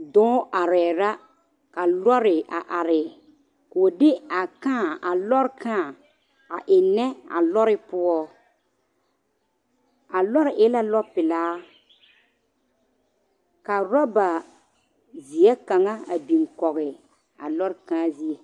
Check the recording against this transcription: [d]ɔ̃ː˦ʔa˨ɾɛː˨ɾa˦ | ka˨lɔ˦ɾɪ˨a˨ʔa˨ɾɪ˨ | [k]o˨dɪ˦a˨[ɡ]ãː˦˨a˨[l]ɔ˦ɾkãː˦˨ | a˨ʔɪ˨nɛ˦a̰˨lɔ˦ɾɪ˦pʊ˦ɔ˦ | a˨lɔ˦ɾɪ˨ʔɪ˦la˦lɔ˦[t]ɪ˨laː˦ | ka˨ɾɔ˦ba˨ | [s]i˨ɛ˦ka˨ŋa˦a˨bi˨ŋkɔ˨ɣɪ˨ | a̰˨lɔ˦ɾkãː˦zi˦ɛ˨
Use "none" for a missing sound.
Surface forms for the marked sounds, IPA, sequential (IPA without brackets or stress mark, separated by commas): d, k, k, l, p, z